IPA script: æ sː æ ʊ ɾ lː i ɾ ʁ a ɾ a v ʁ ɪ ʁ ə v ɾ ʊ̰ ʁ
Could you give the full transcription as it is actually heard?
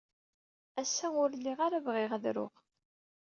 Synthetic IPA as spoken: æ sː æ ʊ ɾ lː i ʁ a ɾ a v ʁ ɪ ʁ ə ð ɾ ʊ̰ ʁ